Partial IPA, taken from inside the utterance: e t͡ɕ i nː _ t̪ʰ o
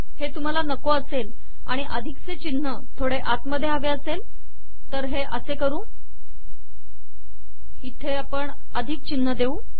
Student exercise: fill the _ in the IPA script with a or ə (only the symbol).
ə